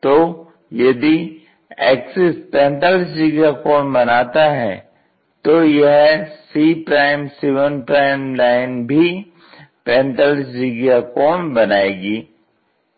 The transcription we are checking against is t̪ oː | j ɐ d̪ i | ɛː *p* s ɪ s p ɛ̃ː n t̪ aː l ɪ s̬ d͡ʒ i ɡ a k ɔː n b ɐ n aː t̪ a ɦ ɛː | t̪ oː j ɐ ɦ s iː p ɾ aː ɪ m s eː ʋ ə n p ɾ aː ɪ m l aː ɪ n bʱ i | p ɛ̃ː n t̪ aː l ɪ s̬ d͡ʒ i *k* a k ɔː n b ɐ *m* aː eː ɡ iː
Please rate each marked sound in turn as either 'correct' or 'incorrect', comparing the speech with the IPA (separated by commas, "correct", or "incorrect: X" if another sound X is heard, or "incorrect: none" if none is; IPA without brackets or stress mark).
incorrect: k, incorrect: ɡ, incorrect: n